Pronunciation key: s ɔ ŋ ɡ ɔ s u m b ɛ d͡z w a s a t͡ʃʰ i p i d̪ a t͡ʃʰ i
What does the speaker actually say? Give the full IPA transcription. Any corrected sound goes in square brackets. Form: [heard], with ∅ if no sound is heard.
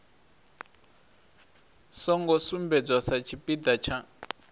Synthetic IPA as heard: s ɔ ŋ ɡ ɔ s u m b ɛ d͡z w a s a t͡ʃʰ i p i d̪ a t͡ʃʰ [a]